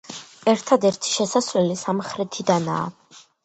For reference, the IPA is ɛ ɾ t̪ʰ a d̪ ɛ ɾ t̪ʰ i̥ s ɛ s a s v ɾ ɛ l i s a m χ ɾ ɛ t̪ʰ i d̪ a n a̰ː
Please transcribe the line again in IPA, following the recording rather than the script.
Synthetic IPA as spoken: ɛ ɾ t̪ʰ a d̪ ɛ ɾ t̪ʰ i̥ ʃ ɛ s a s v l ɛ l i s a m χ ɾ ɛ t̪ʰ i d̪ a n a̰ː

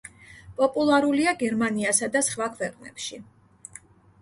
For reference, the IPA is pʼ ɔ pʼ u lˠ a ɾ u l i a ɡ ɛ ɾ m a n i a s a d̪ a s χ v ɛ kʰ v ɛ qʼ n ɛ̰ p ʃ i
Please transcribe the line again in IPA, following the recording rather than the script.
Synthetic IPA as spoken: pʼ ɔ pʼ u lˠ a ɾ u l i a ɡ ɛ ɾ m a n i a s a d̪ a s χ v a kʰ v ɛ qʼ n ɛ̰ p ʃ i

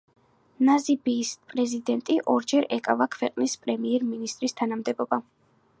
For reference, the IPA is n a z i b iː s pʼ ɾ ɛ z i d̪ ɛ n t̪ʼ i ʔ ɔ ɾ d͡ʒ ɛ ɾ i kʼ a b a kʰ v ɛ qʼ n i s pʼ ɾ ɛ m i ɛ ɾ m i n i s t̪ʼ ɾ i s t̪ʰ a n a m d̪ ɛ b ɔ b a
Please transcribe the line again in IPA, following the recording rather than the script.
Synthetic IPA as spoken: n a z i b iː s pʼ ɾ ɛ z i d̪ ɛ n t̪ʼ i ʔ ɔ ɾ d͡ʒ ɛ ɾ ɛ kʼ a v a kʰ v ɛ qʼ n i s pʼ ɾ ɛ m i ɛ ɾ m i n i s t̪ʼ ɾ i s t̪ʰ a n a m d̪ ɛ b ɔ b a

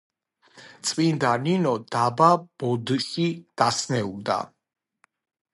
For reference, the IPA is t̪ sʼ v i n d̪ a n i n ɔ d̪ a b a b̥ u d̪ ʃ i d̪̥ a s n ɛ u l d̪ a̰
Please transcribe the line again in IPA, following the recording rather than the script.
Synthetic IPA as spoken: t̪ sʼ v i n d̪ a n i n ɔ d̪ a b a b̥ ɔ d̪ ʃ i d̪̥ a s n ɛ u l d̪ a̰

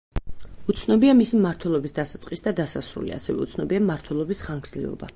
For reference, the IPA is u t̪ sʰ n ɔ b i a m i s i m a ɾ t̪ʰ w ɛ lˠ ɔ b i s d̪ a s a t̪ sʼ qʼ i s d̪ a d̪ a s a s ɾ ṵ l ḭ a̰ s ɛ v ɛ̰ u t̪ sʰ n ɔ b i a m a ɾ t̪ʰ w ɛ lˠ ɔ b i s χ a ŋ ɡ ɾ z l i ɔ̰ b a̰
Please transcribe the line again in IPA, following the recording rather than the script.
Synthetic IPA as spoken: u t̪ sʰ n ɔ b i a m i s i m a ɾ t̪ʰ w ɛ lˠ ɔ b i s d̪ a s a t̪ sʼ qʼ i s d̪ a d̪ a s a s ɾ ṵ l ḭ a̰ s ɛ v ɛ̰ u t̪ sʰ n ɔ b i a m a ɾ t̪ʰ w ɛ lˠ ɔ b i s χ a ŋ ɡ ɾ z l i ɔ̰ b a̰

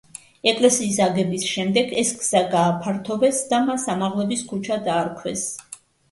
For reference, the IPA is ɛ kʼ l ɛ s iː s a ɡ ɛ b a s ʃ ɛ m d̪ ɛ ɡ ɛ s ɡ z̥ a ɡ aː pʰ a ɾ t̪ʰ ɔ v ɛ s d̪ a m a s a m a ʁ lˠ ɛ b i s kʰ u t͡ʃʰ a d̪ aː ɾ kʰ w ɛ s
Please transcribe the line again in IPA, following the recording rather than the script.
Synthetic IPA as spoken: ɛ kʼ l ɛ s iː s a ɡ ɛ b i s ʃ ɛ m d̪ ɛ ɡ ɛ s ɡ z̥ a ɡ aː pʰ a ɾ t̪ʰ ɔ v ɛ s d̪ a m a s a m a ʁ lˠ ɛ b i s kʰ u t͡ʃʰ a d̪ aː ɾ kʰ w ɛ s

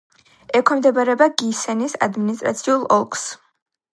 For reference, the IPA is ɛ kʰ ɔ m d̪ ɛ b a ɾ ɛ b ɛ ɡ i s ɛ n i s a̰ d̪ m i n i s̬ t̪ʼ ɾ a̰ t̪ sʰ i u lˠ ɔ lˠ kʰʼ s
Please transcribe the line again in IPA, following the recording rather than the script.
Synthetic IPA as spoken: ɛ kʰ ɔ m d̪ ɛ b a ɾ ɛ b a ɡ i s ɛ n i s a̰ d̪ m i n i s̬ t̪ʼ ɾ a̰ t̪ sʰ i u lˠ ɔ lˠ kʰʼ s

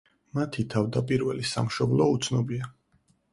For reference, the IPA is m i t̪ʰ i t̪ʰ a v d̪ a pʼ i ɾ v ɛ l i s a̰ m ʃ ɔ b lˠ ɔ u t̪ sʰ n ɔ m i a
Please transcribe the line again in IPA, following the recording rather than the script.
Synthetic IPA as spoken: m a t̪ʰ i t̪ʰ a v d̪ a pʼ i ɾ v ɛ l i s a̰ m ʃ ɔ b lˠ ɔ u t̪ sʰ n ɔ b i a

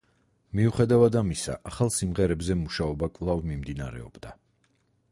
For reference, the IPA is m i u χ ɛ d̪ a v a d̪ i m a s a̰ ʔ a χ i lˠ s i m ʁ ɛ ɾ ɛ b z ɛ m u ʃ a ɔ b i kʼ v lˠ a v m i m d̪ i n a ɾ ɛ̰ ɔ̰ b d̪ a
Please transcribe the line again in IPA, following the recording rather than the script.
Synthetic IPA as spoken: m i u χ ɛ d̪ a v a d̪ a m i s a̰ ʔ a χ a lˠ s i m ʁ ɛ ɾ ɛ b z ɛ m u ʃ a ɔ b a kʼ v lˠ a v m i m d̪ i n a ɾ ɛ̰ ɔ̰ b d̪ a

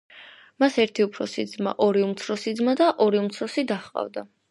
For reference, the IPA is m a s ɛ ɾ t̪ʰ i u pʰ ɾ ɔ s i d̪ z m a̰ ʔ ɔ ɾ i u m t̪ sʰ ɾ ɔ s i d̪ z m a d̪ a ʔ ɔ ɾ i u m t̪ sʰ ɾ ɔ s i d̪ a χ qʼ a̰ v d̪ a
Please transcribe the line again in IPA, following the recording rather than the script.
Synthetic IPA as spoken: m a s ɛ ɾ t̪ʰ i u pʰ ɾ ɔ s i d̪ z m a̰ ʔ ɔ ɾ i u m t̪ sʰ ɾ ɔ s i d̪ z m a d̪ a ʔ ɔ ɾ i u m t̪ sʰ ɾ ɔ s i d̪ a χ qʼ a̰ v d̪ a

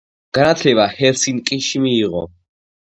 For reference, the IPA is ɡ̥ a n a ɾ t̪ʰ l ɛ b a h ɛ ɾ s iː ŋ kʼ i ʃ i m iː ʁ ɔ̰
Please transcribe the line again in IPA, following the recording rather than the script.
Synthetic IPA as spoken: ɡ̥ a n a t̪ʰ l ɛ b a h ɛ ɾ s i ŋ kʼ i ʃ i m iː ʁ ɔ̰

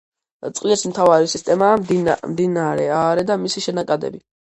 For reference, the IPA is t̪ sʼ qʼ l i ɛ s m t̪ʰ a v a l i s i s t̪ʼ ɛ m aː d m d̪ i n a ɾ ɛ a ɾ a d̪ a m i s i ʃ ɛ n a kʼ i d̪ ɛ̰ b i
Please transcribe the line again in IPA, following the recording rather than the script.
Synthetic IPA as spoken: t̪ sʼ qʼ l i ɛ s m t̪ʰ a v a ɾ i s i s t̪ʼ ɛ m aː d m d̪ i n a ɾ ɛ a ɾ ɛ d̪ a m i s i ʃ ɛ n a kʼ a d̪ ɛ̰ b i

